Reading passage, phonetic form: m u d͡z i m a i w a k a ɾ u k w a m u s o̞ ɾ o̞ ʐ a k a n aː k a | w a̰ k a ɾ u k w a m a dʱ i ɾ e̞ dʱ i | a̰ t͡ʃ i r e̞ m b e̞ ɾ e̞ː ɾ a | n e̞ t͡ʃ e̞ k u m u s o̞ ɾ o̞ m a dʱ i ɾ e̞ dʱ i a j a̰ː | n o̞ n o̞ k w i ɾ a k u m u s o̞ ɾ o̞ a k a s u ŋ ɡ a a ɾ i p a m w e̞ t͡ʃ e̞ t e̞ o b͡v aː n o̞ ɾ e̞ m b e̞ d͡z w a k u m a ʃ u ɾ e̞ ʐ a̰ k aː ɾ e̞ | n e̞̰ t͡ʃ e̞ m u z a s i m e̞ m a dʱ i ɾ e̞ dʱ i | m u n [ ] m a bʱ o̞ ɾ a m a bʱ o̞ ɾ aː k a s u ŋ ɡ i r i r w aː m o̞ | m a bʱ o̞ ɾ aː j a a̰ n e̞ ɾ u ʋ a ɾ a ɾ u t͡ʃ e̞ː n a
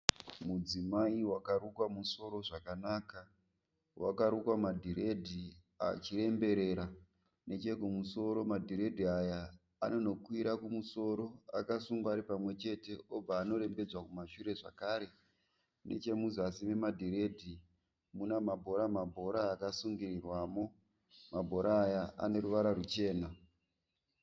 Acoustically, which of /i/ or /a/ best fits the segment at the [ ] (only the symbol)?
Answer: a